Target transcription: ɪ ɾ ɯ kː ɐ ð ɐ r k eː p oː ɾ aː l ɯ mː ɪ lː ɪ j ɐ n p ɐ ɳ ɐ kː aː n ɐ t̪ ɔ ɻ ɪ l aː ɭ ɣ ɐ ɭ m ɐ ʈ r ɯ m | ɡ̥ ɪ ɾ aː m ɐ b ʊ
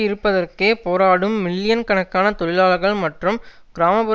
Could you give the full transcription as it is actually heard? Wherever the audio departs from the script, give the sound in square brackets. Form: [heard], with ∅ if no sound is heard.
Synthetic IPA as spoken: ɪ ɾ ɯ [pː] ɐ ð ɐ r k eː p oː ɾ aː [ɽ] ɯ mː ɪ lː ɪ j ɐ n [k] ɐ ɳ ɐ kː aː n ɐ t̪ ɔ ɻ ɪ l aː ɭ ɣ ɐ ɭ m ɐ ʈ r ɯ m | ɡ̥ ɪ ɾ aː m ɐ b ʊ